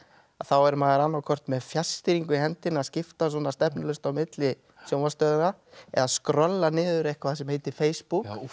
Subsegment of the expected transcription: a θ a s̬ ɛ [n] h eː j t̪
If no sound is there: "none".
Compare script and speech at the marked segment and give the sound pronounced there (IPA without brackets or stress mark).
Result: m